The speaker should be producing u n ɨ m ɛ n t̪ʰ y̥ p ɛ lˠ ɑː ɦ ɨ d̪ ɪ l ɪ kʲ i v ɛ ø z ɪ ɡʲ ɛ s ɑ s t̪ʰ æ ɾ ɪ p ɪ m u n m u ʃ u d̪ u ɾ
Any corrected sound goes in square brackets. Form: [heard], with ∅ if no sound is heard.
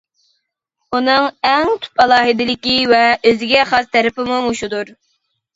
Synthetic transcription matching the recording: u n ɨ [ŋ] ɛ [ŋ] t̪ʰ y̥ p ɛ lˠ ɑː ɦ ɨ d̪ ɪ l ɪ kʲ i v ɛ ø z ɪ ɡʲ ɛ [χ] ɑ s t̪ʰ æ ɾ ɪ p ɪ m u [∅] m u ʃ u d̪ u ɾ